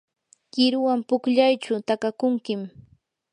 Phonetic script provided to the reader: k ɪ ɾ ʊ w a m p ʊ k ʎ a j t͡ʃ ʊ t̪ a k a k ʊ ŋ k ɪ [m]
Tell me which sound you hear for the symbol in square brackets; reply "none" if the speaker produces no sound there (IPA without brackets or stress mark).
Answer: m